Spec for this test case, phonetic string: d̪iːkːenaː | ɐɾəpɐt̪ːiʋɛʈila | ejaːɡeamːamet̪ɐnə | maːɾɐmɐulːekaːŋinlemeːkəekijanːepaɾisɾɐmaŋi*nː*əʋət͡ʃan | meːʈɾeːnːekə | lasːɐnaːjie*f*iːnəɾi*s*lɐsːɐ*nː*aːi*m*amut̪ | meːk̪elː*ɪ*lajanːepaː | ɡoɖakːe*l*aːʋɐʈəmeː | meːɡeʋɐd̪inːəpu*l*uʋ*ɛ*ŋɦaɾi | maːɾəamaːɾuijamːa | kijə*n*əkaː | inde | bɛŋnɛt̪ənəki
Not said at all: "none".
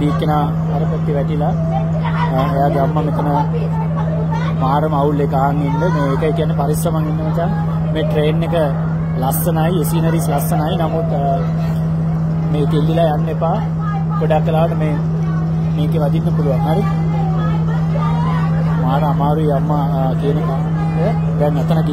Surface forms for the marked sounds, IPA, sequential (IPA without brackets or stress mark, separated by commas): nː, s, s, n, n, i, l, l, a, n